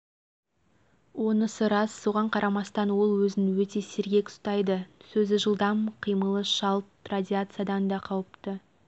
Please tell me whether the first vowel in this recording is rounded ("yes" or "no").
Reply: yes